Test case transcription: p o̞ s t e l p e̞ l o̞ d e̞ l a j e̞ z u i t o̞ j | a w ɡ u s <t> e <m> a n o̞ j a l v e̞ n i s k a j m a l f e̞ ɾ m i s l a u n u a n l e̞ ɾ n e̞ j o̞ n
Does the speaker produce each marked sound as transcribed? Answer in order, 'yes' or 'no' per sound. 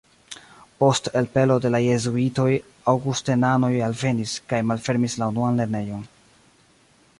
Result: yes, no

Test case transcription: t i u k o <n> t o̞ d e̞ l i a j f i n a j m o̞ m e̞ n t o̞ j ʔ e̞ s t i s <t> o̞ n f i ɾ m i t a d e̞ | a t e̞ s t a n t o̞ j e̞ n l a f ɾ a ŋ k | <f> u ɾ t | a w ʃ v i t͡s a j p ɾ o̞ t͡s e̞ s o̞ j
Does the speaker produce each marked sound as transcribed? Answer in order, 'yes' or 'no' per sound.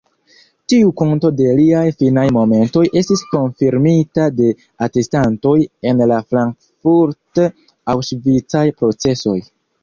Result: yes, no, yes

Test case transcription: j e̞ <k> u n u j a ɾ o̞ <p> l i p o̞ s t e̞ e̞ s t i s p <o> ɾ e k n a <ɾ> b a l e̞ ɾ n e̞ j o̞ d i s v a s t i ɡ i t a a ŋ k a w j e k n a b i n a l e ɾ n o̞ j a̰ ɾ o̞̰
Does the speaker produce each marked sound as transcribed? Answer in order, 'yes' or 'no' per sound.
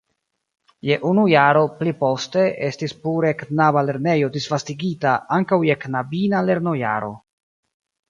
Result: no, yes, no, no

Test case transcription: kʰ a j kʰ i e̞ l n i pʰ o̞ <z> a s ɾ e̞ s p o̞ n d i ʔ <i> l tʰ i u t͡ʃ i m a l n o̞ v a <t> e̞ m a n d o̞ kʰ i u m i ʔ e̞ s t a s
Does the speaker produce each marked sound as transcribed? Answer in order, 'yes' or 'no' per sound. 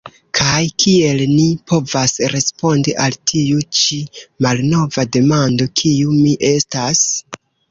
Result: no, no, no

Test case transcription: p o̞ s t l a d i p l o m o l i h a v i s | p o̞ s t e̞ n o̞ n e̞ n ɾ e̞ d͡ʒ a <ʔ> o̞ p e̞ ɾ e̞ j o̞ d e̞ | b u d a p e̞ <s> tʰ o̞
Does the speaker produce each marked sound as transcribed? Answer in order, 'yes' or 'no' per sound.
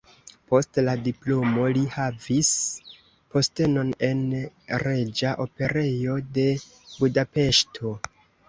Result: yes, no

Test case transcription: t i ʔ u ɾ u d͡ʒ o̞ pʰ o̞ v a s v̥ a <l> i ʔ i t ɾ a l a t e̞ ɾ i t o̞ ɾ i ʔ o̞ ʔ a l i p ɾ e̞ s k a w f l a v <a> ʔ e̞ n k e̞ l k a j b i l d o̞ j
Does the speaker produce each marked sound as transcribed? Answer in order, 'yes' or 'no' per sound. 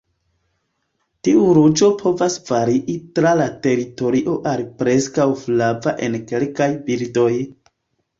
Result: no, yes

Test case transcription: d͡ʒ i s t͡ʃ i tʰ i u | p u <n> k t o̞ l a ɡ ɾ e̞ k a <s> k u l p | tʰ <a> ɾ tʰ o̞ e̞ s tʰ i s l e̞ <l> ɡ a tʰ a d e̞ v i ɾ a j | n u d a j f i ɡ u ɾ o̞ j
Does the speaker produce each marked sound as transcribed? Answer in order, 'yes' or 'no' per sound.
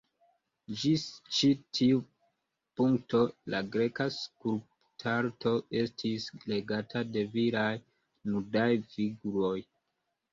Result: no, yes, yes, no

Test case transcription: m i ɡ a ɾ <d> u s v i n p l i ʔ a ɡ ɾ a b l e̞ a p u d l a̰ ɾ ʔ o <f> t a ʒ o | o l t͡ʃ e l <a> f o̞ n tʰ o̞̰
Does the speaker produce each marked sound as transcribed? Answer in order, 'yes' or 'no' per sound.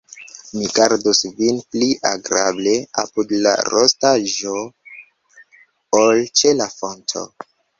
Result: yes, no, yes

